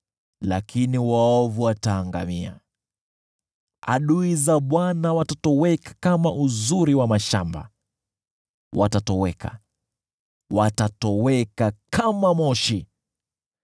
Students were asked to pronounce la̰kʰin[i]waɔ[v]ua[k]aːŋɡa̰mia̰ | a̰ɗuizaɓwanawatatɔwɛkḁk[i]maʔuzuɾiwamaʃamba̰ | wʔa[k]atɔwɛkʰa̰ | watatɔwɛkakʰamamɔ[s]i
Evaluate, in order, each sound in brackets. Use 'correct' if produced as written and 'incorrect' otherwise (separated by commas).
correct, correct, incorrect, incorrect, incorrect, incorrect